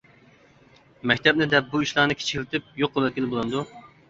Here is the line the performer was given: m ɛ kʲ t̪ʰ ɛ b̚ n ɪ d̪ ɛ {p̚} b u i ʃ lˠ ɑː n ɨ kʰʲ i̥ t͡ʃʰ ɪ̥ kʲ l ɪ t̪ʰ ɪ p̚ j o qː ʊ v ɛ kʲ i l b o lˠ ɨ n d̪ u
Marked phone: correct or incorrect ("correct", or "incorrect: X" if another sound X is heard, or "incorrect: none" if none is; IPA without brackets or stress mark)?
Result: correct